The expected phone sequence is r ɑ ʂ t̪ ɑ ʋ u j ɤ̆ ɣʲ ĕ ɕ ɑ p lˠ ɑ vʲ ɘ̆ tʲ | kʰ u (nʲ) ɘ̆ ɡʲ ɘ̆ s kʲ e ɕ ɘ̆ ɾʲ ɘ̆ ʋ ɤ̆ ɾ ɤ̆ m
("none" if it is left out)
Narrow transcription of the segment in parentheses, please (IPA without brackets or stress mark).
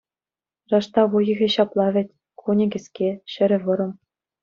nʲ